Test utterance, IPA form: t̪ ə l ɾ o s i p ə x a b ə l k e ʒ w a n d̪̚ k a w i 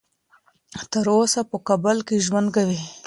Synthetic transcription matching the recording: t̪ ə ɾ o s a p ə k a b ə l k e ʒ w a n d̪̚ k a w i